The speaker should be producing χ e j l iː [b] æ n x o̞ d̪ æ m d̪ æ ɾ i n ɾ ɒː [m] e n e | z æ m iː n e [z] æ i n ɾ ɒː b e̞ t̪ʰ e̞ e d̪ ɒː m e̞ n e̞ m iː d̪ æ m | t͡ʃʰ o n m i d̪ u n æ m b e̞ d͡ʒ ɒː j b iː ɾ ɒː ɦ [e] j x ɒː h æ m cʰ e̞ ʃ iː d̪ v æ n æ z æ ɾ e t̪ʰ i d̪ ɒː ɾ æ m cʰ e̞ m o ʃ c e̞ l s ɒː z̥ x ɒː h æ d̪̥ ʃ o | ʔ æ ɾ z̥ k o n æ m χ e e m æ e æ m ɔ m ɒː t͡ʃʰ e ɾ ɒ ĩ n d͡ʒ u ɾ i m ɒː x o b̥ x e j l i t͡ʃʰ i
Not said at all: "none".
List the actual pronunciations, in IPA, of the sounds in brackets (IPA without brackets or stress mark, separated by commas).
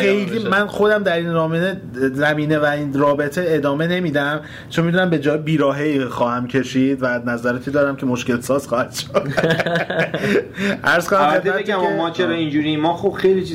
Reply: m, m, v, e